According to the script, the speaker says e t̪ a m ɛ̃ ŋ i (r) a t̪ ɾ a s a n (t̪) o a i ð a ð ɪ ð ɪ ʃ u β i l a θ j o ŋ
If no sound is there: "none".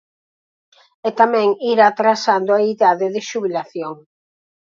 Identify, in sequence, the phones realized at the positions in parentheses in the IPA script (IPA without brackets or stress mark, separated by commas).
ɾ, d̪